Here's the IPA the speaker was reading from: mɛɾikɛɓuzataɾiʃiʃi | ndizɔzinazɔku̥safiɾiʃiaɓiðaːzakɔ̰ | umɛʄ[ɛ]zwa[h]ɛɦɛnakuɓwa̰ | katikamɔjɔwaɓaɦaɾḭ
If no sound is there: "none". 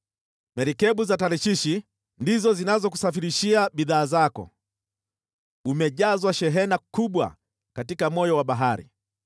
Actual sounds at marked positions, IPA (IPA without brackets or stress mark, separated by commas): a, ʃ